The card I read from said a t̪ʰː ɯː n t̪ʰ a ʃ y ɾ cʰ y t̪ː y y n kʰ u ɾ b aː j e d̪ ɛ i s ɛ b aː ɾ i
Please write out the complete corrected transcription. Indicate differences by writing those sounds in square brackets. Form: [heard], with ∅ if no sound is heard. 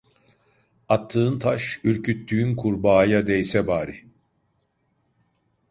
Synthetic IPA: a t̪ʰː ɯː n t̪ʰ a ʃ y ɾ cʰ y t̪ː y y n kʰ u ɾ b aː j [a] d̪ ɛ [j] s ɛ b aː ɾ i

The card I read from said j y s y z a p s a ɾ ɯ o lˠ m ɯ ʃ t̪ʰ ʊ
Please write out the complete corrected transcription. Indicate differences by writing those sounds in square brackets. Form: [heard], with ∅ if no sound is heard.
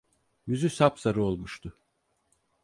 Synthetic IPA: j y [z] y [s] a p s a ɾ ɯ o lˠ m [u] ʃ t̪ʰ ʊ

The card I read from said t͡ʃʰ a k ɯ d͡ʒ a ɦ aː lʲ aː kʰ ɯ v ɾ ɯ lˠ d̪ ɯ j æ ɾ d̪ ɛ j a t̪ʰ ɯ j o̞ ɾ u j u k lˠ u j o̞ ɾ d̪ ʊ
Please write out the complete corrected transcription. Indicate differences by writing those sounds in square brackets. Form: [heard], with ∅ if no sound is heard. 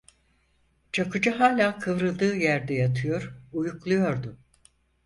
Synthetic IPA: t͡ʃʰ a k ɯ d͡ʒ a ɦ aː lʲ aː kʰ ɯ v ɾ ɯ lˠ d̪ [ɯː] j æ ɾ d̪ ɛ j a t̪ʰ ɯ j o̞ ɾ u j u k lˠ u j o̞ ɾ d̪ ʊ

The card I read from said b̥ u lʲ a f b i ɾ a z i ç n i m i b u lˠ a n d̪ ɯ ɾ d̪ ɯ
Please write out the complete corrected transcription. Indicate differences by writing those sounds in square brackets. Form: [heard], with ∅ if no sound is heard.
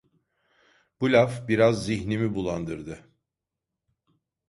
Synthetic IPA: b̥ u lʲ a f b i ɾ a [zː] i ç n i m i b u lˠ a n d̪ ɯ ɾ d̪ ɯ

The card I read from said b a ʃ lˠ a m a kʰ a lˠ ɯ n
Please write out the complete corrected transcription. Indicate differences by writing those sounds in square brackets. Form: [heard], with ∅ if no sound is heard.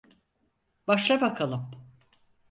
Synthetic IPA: b a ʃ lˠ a [b] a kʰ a lˠ ɯ [m]

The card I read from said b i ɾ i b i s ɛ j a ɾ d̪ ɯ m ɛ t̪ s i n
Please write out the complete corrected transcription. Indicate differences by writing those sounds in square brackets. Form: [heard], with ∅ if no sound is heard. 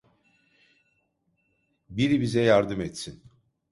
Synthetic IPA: b i ɾ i b i [z] ɛ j a ɾ d̪ ɯ m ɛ t̪ s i n

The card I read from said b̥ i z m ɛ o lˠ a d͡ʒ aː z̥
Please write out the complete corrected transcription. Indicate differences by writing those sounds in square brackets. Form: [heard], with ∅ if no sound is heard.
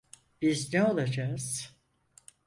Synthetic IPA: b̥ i z [n] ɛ o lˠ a d͡ʒ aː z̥

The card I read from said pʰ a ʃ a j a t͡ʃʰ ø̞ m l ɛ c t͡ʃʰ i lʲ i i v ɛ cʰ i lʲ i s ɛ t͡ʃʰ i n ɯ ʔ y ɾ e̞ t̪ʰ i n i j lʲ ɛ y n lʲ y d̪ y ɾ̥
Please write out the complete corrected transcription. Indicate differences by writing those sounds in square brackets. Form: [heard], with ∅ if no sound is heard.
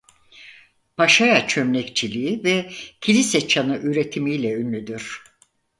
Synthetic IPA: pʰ a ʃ a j a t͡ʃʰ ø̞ m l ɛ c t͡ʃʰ i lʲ i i v ɛ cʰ i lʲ i s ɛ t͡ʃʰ [a] n ɯ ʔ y ɾ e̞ t̪ʰ i [m] i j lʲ ɛ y n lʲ y d̪ y ɾ̥

